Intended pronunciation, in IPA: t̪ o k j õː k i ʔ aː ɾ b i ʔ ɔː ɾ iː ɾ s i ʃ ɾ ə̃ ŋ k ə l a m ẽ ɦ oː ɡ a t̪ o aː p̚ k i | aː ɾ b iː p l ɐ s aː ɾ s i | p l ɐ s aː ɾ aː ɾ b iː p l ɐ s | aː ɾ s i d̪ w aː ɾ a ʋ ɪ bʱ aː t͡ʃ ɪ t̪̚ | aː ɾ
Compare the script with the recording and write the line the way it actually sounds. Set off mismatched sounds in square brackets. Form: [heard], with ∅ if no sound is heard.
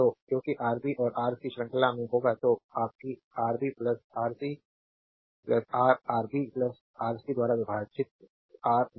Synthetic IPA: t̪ o k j õː k i ʔ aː ɾ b i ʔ ɔː ɾ [aː] ɾ s i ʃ ɾ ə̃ ŋ k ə l a m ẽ ɦ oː ɡ a t̪ o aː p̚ k i | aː ɾ b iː p l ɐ s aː ɾ s i | p l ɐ s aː ɾ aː ɾ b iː p l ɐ s | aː ɾ s i d̪ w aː ɾ a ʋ ɪ bʱ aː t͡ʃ ɪ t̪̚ | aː ɾ